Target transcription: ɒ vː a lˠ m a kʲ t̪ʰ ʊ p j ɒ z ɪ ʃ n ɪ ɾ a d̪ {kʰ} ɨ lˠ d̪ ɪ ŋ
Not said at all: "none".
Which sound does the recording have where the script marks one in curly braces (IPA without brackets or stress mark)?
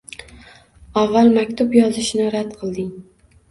qʰ